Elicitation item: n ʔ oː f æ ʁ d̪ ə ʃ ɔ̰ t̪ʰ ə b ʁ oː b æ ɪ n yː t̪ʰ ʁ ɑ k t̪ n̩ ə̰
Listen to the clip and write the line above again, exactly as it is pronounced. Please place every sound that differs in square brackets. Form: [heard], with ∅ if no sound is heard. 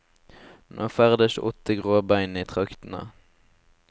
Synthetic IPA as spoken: n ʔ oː f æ ʁ d̪ ə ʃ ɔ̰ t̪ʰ ə [ɡ] ʁ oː b æ ɪ n [iː] t̪ʰ ʁ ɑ k t̪ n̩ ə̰